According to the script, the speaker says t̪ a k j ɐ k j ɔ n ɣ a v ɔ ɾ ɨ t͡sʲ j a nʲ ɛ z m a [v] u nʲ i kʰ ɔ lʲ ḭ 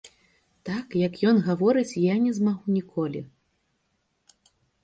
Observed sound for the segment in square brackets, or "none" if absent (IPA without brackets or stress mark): ɣ